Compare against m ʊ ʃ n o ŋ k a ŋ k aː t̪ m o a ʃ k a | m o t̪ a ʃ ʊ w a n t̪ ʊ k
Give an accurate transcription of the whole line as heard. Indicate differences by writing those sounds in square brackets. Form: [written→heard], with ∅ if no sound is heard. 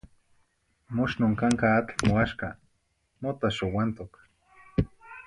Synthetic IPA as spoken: m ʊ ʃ n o ŋ k a ŋ k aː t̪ m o a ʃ k a | m o t̪ a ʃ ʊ w a n t̪ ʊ k